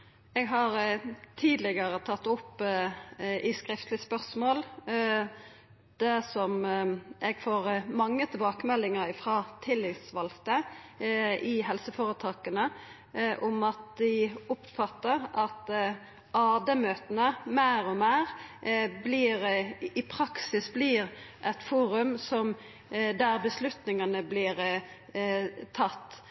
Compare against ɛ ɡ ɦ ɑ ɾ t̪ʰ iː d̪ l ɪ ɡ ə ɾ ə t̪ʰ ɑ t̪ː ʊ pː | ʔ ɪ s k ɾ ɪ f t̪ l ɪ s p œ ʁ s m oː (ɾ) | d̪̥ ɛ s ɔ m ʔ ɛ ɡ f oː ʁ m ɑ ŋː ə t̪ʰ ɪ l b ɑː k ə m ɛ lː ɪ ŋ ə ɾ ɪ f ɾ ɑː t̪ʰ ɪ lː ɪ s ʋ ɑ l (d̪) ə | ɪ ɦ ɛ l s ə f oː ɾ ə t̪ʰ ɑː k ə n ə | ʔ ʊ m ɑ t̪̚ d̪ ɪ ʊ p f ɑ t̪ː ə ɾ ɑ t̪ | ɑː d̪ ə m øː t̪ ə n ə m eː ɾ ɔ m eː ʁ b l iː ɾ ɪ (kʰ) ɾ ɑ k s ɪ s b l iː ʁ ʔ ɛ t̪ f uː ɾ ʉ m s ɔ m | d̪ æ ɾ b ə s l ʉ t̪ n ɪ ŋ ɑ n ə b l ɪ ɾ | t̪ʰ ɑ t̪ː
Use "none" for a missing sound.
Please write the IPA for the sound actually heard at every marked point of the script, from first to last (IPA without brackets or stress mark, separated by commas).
l, t̪, pʰ